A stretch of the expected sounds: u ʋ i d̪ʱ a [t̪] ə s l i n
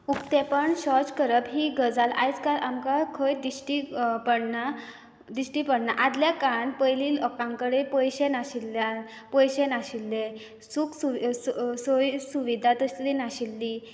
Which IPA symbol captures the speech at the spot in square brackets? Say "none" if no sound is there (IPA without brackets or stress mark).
t̪